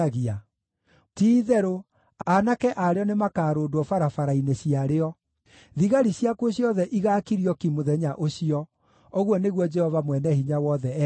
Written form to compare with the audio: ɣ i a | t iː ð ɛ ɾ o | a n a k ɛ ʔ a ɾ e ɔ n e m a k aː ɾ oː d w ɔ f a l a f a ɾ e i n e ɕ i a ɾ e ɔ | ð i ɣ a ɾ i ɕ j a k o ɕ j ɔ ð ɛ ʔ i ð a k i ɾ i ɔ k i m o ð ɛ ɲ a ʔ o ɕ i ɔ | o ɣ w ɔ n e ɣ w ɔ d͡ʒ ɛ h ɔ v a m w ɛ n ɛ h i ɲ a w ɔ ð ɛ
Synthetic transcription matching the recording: ɣ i a | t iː ð ɛ ɾ o | a n a k ɛ ʔ a ɾ e ɔ n e m a k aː ɾ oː d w ɔ f a ɾ a f a ɾ a i n e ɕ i a ɾ e ɔ | ð i ɣ a ɾ i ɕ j a k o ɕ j ɔ ð ɛ ʔ i ɣ a k i ɾ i ɔ k i m o ð ɛ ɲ a ʔ o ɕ i ɔ | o ɣ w ɔ n e ɣ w ɔ d͡ʒ ɛ h ɔ v a m w ɛ n ɛ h i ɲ a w ɔ ð ɛ